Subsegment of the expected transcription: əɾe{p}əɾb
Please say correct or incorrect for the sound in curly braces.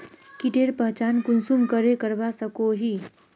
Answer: incorrect